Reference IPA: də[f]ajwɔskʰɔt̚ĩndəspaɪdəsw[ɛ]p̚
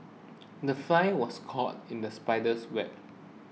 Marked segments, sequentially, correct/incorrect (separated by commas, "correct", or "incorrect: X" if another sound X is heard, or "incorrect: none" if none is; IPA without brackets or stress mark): correct, correct